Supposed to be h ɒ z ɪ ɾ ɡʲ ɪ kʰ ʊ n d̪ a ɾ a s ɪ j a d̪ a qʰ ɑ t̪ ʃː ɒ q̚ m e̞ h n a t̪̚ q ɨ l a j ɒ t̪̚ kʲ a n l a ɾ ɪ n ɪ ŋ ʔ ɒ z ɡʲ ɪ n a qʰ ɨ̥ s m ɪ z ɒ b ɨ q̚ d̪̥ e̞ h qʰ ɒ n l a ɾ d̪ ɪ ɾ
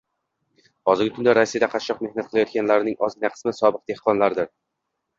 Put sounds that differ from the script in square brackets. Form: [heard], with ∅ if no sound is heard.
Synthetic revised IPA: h ɒ z ɪ ɾ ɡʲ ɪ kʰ ʊ n d̪ a ɾ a s [i] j a d̪ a qʰ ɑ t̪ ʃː ɒ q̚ m e̞ h n a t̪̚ q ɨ l a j ɒ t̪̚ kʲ a n l a ɾ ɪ n ɪ ŋ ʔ ɒ z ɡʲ ɪ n a qʰ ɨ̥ s m ɪ [s] ɒ b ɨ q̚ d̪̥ e̞ h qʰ ɒ n l a ɾ d̪ ɪ ɾ